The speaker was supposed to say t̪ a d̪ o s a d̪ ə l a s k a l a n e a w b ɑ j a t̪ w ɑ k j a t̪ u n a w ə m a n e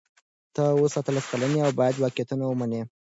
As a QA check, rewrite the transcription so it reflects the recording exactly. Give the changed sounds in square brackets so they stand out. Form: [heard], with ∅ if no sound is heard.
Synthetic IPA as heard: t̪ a [∅] o s a [t̪] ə l a s k a l a n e a w b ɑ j a [d̪] w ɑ k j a t̪ u n a w ə m a n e

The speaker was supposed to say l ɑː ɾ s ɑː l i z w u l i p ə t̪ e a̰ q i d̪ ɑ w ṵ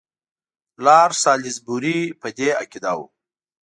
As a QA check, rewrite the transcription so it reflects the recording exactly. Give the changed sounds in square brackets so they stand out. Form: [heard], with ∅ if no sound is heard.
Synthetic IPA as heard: l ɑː ɾ s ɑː l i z [b] u [ɾ] i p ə [d̪] e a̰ [k] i d̪ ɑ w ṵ

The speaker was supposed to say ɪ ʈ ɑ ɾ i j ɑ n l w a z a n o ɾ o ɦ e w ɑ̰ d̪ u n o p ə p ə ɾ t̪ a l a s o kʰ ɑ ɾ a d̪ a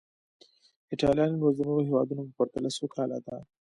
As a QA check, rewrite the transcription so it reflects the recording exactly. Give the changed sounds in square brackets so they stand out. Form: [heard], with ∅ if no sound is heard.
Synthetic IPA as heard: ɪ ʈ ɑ [l] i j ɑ n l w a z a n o ɾ o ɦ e w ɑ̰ d̪ u n o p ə p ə ɾ t̪ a l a s o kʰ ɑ [l] a d̪ a

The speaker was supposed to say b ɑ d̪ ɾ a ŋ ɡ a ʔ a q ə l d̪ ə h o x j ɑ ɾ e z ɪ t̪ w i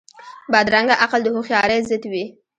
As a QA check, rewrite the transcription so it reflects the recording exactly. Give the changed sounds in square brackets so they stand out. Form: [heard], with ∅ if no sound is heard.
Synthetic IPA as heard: b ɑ d̪ ɾ a ŋ ɡ a ʔ a q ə l d̪ ə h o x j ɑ ɾ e z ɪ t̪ w i

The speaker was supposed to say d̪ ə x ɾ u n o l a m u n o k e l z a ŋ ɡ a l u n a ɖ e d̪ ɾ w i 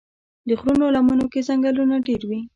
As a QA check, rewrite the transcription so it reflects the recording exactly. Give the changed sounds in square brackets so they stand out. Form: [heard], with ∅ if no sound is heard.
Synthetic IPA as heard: d̪ ə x ɾ u n o l a m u n o k e [∅] z a ŋ ɡ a l u n a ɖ e [∅] ɾ w i

